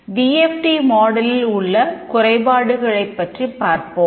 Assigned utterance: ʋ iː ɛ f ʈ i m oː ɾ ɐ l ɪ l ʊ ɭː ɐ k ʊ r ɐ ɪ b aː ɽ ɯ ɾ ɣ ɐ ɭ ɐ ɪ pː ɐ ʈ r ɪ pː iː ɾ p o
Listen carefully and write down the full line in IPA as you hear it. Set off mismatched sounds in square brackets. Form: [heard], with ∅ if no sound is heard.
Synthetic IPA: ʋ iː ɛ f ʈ i m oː [ɽ] ɐ l ɪ l ʊ ɭː ɐ k ʊ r ɐ ɪ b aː ɽ ɯ [∅] ɣ ɐ ɭ ɐ ɪ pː ɐ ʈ r [i] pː [aː] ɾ p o